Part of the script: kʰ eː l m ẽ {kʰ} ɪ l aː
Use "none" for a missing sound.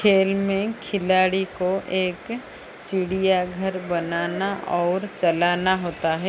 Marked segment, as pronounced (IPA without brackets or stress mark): kʰ